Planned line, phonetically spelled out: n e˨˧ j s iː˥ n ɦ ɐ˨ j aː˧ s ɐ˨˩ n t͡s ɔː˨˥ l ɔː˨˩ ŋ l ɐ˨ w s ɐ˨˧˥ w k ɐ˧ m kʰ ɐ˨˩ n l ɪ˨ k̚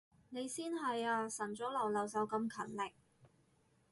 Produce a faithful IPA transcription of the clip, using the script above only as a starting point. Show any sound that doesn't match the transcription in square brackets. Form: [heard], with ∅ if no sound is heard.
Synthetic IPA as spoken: n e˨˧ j s iː˥ n ɦ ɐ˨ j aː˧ s ɐ˨˩ n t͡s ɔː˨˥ l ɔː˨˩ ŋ l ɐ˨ w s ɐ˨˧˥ w k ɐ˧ m kʰ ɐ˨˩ n l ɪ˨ k̚